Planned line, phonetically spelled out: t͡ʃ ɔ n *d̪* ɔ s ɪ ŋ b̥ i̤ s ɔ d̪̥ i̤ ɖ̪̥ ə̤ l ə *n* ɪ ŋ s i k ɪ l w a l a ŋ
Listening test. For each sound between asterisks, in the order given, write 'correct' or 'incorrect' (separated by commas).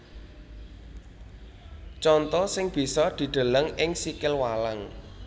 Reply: incorrect, incorrect